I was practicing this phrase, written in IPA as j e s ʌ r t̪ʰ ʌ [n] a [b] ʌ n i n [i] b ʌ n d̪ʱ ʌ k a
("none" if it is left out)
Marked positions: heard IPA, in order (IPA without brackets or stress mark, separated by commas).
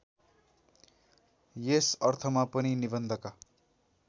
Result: m, p, i